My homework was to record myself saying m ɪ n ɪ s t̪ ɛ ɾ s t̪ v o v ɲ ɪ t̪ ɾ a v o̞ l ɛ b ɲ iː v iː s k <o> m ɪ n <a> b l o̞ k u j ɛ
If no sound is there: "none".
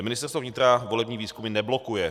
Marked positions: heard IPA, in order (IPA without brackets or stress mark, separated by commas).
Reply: u, ɛ